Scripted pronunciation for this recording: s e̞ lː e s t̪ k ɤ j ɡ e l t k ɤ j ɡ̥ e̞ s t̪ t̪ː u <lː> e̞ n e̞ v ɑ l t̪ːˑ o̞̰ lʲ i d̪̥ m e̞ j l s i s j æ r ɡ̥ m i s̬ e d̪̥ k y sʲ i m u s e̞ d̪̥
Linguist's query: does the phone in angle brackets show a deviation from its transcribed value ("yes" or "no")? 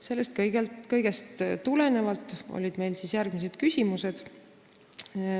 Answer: yes